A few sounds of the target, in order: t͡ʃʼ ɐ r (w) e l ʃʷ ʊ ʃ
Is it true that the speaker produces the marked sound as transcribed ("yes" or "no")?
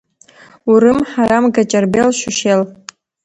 no